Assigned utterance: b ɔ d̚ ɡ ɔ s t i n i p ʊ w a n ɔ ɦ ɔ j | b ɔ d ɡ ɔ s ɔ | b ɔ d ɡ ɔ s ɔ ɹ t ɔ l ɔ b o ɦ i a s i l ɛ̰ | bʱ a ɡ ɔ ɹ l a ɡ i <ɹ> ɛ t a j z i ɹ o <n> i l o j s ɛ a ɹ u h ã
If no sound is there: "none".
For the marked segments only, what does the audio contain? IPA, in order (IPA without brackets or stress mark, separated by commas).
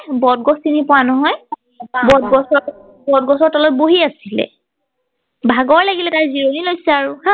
l, n